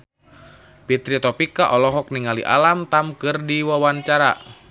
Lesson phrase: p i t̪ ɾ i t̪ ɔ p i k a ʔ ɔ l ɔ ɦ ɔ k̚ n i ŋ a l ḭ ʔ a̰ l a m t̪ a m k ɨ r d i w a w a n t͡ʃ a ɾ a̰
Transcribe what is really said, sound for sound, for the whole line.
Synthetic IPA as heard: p i t̪ ɾ i t̪ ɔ p i k a ʔ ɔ l ɔ ɦ ɔ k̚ n i ŋ a l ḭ ʔ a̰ l a m t̪ a m k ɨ r d i w a w a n t͡ʃ a ɾ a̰